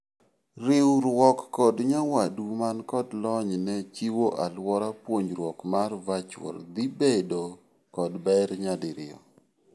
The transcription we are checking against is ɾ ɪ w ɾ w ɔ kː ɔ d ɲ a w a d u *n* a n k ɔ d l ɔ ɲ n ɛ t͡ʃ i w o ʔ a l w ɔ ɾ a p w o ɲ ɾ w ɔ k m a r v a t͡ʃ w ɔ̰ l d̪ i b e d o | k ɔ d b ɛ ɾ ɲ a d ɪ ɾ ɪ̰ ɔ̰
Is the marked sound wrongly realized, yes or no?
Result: yes